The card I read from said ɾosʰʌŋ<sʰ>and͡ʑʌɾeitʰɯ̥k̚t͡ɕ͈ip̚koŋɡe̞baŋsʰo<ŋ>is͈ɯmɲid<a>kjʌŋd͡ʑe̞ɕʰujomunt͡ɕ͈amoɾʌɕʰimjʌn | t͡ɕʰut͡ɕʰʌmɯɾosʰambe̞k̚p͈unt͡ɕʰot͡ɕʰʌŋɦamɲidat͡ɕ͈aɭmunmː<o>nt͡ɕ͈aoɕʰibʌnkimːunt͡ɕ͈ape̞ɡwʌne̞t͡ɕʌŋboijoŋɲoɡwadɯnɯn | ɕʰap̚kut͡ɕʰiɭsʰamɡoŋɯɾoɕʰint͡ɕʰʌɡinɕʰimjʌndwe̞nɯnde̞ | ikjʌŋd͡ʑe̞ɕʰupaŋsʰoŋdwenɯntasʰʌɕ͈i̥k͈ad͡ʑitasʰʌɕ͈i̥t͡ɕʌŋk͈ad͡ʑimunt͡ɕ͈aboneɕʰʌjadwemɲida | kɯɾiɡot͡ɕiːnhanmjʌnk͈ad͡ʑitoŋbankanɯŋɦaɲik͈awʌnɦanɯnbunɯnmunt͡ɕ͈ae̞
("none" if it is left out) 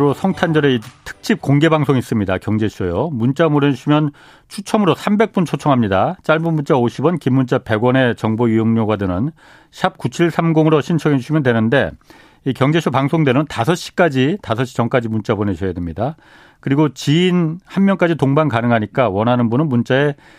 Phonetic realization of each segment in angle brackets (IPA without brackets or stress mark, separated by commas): tʰ, ŋ, a, u